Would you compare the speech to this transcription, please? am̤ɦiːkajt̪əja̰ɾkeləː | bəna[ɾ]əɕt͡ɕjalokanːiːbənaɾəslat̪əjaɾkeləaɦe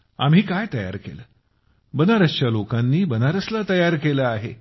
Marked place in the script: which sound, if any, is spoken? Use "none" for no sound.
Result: ɾ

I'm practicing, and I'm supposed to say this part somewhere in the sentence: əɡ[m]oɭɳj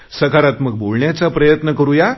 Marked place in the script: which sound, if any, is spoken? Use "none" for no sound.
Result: b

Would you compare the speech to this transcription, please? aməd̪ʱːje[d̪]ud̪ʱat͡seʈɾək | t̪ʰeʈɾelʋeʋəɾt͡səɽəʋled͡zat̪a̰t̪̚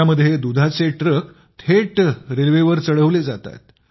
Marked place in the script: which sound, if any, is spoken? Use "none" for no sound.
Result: d̪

